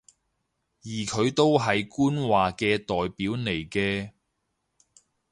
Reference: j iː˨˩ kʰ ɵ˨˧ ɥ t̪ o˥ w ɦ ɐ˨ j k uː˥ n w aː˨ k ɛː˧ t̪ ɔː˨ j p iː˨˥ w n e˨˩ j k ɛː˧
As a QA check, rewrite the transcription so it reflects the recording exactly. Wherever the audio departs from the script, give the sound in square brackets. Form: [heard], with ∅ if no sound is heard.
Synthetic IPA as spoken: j iː˨˩ kʰ ɵ˨˧ ɥ t̪ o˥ w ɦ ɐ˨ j k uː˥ n w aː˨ k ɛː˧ t̪ ɔː˨ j p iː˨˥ w n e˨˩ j k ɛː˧